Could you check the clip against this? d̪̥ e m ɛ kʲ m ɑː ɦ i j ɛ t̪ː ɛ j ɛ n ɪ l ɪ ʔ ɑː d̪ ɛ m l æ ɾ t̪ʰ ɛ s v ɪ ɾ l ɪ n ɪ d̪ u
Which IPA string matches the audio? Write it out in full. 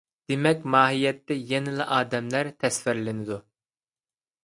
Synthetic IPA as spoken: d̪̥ e m ɛ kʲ m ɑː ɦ i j ɛ t̪ː ɛ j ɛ n ɪ l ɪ ʔ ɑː d̪ ɛ m l æ ɾ t̪ʰ ɛ s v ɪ ɾ l ɪ n ɪ d̪ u